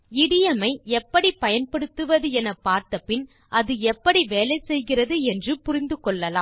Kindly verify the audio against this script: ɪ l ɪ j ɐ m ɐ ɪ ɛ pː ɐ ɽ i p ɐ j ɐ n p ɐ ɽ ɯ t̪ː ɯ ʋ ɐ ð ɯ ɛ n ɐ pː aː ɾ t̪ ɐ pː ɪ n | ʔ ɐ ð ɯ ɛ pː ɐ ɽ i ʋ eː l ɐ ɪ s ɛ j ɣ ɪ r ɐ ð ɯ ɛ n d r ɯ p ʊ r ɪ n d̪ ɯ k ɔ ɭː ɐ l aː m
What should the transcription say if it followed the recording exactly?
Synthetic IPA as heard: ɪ ɽ ɪ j ɐ m ɐ ɪ ɛ pː ɐ ɽ i p ɐ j ɐ n p ɐ ɽ ɯ t̪ː ɯ ʋ ɐ ð ɯ ɛ n ɐ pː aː ɾ t̪ ɐ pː ɪ n | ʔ ɐ ð ɯ ɛ pː ɐ ɽ i ʋ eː l ɐ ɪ s ɛ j ɣ ɪ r ɐ ð ɯ ɛ n d r ɯ p ʊ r ɪ n d̪ ɯ k ɔ ɭː ɐ l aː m